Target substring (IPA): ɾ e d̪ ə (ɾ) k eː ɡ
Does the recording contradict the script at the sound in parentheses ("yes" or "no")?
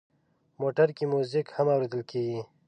yes